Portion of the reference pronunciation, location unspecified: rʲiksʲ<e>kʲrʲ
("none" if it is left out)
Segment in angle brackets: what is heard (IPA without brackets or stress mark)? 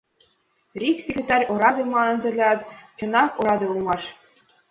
e